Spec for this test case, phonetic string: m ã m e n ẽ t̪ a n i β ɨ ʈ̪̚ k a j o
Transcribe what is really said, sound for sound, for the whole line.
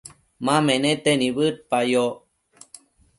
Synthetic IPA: m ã m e n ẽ t̪ e n i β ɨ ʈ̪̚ p a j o